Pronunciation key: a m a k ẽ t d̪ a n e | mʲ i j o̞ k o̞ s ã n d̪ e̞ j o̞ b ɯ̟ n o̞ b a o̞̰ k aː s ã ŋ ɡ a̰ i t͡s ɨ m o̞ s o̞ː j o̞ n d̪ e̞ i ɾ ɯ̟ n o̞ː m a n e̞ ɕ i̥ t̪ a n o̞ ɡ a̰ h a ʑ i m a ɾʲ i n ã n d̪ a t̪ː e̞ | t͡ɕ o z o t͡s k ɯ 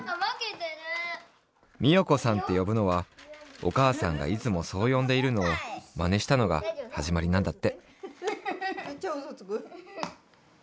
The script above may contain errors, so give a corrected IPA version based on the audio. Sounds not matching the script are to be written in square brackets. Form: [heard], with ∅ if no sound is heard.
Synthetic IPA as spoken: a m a k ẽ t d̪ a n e | mʲ i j o̞ k o̞ s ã n [t̪] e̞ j o̞ b ɯ̟ n o̞ [β] a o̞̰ k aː s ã ŋ ɡ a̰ i t͡s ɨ m o̞ s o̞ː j [õ̞] n d̪ e̞ i ɾ ɯ̟ n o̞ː m a n e̞ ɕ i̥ t̪ a n o̞ ɡ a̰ h a ʑ i m a ɾʲ i n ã n d̪ a t̪ː e̞ | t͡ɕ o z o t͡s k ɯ